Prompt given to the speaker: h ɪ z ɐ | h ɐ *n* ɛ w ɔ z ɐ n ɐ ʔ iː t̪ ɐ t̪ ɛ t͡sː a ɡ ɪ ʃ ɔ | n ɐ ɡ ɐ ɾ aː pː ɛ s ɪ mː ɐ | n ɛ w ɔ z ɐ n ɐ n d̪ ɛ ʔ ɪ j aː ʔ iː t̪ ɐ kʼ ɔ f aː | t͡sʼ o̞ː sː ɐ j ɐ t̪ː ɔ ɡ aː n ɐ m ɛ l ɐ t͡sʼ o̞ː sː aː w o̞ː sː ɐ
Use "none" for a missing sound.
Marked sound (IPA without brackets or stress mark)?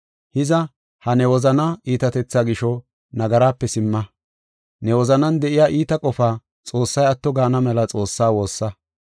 n